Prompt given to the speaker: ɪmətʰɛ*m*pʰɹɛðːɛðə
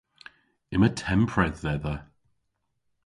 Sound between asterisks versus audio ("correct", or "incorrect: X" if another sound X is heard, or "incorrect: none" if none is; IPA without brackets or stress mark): correct